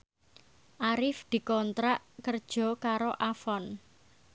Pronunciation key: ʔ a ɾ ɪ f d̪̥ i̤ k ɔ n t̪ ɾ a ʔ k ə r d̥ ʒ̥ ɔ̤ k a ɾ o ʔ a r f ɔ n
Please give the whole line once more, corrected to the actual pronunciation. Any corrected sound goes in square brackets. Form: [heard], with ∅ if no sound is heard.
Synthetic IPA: ʔ a ɾ ɪ f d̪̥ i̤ k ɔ n t̪ ɾ a ʔ k ə r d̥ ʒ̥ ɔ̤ k a ɾ o ʔ a [∅] f ɔ n